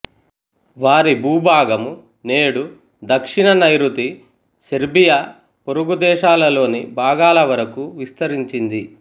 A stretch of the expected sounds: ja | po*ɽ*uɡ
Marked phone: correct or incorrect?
incorrect: ɾ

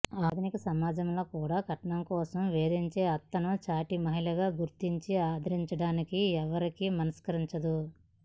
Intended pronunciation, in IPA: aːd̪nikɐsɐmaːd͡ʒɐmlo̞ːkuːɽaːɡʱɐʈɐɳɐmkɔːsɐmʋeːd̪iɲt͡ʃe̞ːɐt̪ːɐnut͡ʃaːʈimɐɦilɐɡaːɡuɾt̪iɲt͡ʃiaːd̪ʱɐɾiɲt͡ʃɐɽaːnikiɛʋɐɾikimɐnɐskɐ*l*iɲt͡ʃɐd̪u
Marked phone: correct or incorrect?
incorrect: ɾ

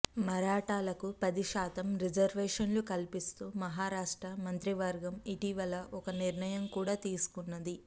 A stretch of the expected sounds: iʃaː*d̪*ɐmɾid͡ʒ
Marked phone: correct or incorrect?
incorrect: t̪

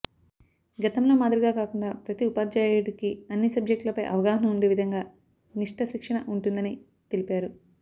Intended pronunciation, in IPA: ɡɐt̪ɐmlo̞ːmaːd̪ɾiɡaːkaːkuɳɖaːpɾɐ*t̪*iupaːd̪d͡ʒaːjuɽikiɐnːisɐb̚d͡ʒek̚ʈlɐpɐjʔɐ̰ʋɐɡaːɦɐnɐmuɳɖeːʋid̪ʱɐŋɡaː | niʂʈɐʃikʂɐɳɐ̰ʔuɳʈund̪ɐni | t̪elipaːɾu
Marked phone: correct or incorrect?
correct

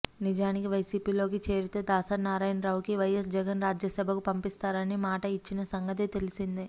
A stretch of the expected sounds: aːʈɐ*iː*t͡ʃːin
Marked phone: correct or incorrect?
incorrect: i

